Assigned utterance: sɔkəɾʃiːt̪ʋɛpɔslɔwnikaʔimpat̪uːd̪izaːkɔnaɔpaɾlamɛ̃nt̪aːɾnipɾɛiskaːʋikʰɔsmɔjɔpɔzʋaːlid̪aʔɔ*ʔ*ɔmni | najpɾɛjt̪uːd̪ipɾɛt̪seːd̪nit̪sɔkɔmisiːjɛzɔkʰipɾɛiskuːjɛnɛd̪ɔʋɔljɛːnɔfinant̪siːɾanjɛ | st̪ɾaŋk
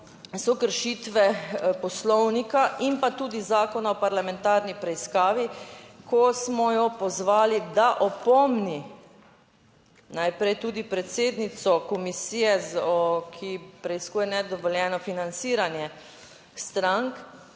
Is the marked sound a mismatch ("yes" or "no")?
yes